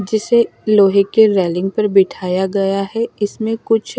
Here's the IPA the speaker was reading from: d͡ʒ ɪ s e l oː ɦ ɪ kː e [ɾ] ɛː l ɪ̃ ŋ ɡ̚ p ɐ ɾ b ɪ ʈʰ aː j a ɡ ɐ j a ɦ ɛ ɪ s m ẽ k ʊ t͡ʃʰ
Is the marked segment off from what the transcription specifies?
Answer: no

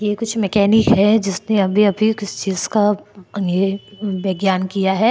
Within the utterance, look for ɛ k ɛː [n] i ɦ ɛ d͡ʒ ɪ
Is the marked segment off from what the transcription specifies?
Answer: no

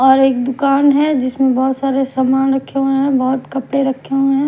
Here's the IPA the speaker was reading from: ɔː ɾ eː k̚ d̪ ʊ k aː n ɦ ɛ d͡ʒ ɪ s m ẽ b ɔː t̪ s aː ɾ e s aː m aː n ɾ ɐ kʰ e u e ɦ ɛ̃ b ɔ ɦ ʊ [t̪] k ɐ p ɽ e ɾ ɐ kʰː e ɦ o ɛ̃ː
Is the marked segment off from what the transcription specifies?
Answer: no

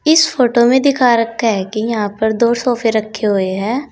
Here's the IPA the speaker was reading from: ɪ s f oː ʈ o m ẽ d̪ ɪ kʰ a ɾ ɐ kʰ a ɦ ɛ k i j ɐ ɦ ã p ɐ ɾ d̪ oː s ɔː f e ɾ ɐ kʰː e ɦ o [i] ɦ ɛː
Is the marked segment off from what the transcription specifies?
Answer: yes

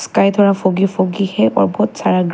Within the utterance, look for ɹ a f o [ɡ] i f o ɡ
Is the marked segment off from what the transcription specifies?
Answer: no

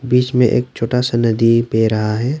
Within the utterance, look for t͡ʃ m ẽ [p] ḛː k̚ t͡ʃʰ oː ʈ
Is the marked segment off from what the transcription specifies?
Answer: yes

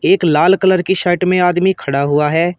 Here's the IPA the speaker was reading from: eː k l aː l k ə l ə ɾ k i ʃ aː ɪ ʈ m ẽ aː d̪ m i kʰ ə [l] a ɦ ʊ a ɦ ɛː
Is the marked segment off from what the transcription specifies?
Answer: yes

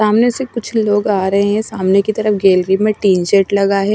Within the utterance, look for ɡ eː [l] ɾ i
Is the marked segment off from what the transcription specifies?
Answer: no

